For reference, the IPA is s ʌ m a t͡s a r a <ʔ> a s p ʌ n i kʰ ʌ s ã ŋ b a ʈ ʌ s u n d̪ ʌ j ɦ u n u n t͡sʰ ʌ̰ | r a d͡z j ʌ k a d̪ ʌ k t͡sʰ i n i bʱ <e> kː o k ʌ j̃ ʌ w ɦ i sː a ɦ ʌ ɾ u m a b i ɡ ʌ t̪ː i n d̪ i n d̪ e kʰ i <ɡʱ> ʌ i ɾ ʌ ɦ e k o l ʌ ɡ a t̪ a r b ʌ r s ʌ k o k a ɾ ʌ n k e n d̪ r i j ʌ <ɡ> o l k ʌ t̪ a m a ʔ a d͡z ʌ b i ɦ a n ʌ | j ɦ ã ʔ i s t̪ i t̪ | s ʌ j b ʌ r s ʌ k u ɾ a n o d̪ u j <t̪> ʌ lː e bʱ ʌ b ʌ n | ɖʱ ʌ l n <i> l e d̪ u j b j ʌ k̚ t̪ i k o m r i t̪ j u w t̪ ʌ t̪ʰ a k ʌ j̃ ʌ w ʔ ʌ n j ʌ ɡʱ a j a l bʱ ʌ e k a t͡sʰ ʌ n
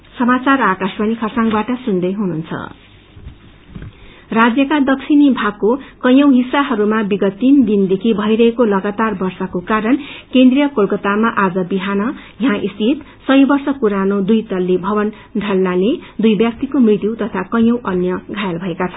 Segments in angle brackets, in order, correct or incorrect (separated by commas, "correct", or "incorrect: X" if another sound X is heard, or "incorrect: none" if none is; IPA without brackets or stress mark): incorrect: k, incorrect: a, incorrect: bʱ, incorrect: k, correct, incorrect: a